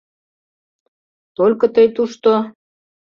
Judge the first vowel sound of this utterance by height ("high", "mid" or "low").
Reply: mid